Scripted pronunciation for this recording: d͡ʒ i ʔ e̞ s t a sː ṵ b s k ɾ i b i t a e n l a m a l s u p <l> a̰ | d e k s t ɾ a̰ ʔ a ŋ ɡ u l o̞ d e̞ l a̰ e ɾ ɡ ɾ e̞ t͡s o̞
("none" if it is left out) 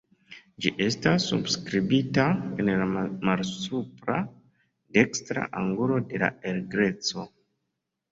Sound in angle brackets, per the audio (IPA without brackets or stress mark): ɾ